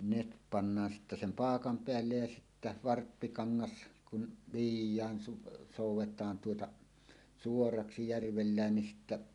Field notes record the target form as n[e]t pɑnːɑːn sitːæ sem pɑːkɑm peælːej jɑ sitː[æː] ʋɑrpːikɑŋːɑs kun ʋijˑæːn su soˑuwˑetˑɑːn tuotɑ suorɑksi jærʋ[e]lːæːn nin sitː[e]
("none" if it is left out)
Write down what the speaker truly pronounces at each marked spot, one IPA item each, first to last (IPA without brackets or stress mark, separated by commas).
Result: e, æ, e, æ